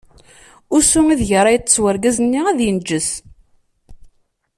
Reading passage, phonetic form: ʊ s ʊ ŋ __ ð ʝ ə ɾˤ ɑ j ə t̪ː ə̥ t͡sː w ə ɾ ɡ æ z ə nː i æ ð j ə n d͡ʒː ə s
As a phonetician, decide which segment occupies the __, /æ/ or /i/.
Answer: i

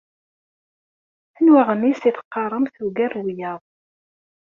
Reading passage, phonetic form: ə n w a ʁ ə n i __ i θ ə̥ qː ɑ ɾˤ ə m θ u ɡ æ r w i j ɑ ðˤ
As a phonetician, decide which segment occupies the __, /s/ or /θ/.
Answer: s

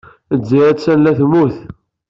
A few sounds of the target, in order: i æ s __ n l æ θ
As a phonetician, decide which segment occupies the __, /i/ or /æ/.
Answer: æ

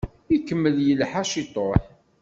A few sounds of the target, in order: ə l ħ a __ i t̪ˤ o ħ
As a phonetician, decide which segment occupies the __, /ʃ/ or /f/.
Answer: ʃ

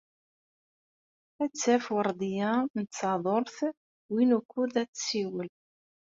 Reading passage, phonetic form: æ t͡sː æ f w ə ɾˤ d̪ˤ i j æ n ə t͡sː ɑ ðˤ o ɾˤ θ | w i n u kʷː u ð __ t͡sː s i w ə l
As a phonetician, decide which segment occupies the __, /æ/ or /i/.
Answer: æ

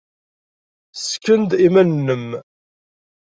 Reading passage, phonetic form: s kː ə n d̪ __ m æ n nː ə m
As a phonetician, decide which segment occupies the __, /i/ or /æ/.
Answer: i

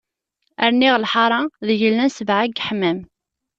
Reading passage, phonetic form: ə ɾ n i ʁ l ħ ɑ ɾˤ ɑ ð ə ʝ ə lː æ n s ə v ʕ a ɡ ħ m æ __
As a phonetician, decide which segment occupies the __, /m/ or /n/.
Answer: m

